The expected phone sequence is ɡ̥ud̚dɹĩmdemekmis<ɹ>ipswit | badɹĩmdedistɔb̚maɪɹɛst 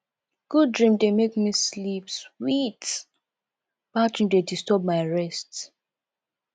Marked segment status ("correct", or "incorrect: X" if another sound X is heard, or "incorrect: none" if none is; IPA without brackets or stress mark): incorrect: l